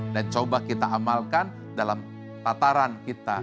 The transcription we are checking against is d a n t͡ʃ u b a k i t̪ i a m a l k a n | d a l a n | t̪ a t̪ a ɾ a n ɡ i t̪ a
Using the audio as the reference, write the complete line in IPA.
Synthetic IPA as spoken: d a n t͡ʃ o b a k i t̪ a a m a l k a n | d a l a m | t̪ a t̪ a ɾ a n k i t̪ a